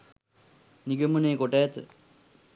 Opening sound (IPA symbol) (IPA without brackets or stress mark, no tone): n